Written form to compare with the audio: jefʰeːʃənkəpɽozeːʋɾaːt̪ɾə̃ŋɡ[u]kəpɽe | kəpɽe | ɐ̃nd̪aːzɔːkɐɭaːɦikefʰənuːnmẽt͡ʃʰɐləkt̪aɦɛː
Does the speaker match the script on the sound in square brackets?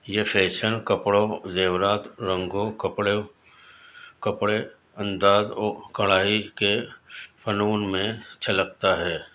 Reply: no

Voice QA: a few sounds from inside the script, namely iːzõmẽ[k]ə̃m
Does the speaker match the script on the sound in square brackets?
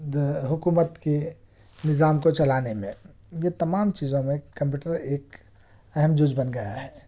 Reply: yes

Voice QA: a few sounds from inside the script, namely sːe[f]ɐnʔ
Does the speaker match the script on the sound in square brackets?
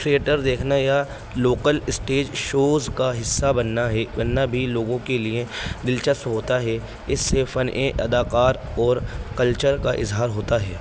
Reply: yes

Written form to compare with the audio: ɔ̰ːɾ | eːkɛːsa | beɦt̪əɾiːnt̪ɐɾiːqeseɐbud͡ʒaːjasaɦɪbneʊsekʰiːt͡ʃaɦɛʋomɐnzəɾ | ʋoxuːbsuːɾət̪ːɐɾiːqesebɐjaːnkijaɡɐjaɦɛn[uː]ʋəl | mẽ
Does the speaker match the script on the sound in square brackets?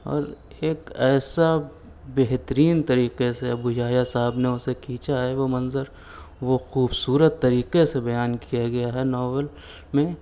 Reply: no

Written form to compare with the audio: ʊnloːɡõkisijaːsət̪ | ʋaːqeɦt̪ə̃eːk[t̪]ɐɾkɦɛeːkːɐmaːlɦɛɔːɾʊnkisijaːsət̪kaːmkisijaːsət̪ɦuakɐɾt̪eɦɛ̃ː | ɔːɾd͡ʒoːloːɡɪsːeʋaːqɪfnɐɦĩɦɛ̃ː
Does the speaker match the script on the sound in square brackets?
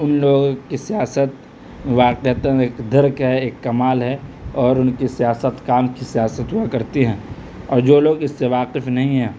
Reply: no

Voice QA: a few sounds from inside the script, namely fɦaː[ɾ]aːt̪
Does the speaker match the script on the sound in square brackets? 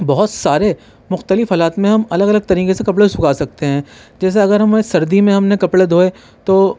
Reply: no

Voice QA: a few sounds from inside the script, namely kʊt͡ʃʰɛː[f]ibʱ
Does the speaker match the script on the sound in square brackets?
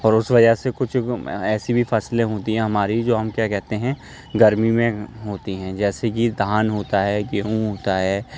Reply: no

